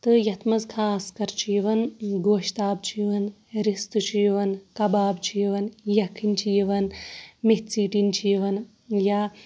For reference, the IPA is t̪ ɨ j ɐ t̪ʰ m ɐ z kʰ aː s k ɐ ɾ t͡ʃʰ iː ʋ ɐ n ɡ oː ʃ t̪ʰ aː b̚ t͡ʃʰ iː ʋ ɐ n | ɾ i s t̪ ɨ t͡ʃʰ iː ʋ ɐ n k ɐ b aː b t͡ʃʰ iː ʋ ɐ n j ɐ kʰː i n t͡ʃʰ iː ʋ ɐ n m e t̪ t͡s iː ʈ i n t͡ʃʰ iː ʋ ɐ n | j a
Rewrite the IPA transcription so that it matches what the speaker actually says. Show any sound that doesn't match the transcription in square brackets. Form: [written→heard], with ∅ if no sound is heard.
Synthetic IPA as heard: t̪ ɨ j ɐ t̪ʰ m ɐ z kʰ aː s k ɐ ɾ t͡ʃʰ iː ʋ ɐ n ɡ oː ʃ [t̪ʰ→t̪] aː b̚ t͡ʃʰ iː ʋ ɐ n | ɾ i s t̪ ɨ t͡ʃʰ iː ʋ ɐ n k ɐ b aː b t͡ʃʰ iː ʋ ɐ n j ɐ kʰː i n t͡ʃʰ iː ʋ ɐ n m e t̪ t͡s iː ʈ i n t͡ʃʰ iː ʋ ɐ n | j a